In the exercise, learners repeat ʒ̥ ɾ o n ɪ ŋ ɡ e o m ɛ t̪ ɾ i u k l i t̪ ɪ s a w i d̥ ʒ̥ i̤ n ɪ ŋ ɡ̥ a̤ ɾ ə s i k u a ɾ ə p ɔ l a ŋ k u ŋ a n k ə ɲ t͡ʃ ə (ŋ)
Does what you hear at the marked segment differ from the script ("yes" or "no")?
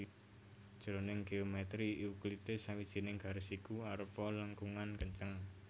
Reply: no